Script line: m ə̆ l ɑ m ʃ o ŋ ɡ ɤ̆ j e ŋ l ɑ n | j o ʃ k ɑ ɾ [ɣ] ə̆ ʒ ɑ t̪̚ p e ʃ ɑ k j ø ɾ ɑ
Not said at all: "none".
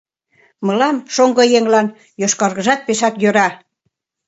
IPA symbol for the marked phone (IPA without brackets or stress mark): ɣ